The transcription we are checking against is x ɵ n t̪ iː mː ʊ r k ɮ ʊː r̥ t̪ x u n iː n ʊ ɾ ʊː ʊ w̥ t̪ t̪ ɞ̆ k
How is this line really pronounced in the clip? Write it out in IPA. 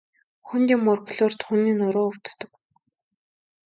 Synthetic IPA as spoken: x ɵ n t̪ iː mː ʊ r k ɮ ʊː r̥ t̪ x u n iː n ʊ ɾ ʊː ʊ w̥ t̪ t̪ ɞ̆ k